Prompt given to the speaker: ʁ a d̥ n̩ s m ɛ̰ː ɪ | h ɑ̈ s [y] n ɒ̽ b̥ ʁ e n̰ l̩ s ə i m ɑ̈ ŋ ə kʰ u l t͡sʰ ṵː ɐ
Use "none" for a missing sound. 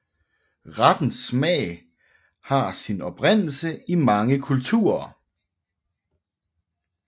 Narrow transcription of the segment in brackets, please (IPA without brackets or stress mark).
i